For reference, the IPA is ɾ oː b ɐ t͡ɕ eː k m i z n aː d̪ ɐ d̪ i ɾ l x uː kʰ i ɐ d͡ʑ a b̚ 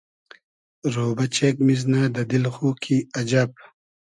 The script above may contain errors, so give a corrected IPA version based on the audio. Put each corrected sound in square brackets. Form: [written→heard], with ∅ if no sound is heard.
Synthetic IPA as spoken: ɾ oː b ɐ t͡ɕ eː k m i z n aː d̪ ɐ d̪ i [ɾ→∅] l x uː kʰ i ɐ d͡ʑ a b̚